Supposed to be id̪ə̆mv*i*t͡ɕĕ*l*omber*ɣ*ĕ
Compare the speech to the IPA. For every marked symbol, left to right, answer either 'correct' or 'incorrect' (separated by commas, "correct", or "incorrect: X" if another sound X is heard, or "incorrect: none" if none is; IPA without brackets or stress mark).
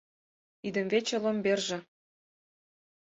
incorrect: e, correct, incorrect: ʒ